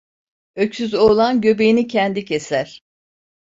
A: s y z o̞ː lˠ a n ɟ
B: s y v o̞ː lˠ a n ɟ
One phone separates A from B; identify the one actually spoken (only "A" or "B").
A